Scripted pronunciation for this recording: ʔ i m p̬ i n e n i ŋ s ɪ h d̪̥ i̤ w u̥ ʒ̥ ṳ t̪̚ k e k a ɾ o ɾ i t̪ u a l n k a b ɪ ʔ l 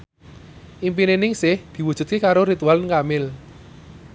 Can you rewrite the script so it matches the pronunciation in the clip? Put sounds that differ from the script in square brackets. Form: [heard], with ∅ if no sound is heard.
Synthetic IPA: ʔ i m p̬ i n e n [ɪ] ŋ s ɪ h d̪̥ i̤ w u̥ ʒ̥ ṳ t̪̚ k e k a ɾ o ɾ i t̪ u a l n k a [m] ɪ [∅] l